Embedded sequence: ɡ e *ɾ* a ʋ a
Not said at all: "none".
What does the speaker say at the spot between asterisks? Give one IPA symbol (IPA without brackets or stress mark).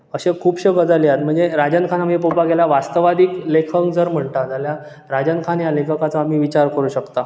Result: l